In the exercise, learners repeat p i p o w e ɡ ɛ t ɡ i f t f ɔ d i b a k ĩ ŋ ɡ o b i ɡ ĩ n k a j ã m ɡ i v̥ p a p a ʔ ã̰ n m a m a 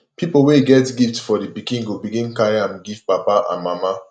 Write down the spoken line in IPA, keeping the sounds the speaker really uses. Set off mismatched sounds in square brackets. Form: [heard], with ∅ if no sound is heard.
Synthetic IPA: p i p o w e ɡ ɛ t ɡ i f t f ɔ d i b [i] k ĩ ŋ ɡ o b i ɡ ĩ n k a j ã m ɡ i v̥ p a p a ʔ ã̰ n m a m a